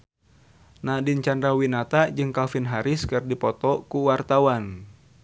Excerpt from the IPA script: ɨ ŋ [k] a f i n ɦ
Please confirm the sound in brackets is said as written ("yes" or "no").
yes